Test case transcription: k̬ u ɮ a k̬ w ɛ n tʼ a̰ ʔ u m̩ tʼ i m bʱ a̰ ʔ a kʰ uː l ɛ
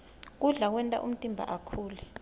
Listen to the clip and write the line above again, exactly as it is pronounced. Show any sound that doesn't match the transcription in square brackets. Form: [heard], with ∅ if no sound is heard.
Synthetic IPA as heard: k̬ u ɮ a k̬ w ɛ n tʼ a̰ ʔ u m̩ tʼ i m bʱ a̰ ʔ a kʰ uː l ɛ